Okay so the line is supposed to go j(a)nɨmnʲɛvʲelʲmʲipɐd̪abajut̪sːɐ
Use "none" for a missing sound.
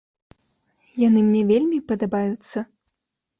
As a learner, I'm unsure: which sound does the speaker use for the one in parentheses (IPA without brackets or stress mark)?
a